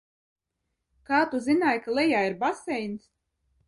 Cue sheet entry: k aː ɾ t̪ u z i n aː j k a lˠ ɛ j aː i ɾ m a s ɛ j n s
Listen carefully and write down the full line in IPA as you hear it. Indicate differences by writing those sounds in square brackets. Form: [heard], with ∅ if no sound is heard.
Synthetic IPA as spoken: k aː [∅] t̪ u z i n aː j k a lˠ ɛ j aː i ɾ [b] a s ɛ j n s